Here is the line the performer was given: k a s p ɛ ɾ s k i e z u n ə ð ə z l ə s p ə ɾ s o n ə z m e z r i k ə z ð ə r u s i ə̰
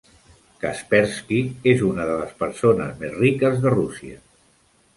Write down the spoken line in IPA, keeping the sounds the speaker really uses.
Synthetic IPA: k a s p ɛ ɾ s k i e z u n ə ð ə l ə s p ə ɾ s o n ə z m e z r i k ə z ð ə r u s i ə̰